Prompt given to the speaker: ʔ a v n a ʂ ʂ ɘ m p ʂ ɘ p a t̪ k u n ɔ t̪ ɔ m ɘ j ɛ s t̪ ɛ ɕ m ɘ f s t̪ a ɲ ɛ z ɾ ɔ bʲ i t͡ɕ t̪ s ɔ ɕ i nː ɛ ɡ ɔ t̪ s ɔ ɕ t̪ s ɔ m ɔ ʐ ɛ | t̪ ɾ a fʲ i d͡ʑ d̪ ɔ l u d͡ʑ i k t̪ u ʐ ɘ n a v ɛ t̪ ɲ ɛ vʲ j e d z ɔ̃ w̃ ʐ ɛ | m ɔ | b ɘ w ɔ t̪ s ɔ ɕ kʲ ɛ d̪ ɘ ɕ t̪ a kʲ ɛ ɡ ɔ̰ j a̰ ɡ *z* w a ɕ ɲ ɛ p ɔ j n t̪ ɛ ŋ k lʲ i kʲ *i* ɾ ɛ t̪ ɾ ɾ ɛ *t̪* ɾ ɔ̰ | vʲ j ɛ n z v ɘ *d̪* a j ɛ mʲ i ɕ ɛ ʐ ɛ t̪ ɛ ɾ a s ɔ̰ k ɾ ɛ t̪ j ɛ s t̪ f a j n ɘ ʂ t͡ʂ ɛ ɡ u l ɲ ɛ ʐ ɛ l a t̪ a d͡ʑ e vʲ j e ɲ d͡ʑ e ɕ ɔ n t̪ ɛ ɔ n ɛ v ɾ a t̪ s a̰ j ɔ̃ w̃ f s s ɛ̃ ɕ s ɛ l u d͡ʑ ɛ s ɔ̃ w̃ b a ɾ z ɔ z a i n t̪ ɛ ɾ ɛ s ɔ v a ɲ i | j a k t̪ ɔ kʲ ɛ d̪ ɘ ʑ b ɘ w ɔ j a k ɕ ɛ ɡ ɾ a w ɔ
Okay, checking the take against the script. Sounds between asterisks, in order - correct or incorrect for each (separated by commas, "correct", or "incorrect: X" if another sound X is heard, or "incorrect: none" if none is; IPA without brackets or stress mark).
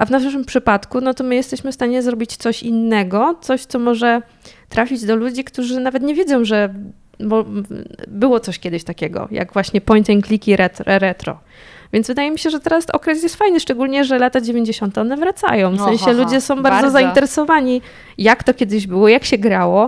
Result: incorrect: v, correct, correct, correct